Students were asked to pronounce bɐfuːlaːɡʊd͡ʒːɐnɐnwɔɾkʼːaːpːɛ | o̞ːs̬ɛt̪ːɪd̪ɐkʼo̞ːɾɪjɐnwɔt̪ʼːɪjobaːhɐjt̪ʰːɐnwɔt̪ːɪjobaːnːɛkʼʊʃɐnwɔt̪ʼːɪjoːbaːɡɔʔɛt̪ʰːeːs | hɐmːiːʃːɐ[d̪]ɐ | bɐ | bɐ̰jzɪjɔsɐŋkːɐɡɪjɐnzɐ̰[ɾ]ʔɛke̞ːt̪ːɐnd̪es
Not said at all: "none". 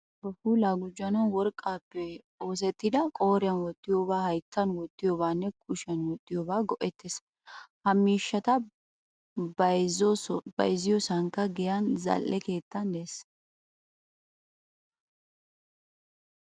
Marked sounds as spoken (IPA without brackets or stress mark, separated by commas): t̪, l